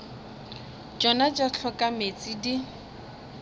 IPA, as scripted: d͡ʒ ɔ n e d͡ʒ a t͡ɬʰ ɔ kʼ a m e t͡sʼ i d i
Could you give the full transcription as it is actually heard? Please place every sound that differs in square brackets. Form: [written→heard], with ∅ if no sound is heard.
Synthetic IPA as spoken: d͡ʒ ɔ n [e→a] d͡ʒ a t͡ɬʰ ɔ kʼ a m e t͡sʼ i d i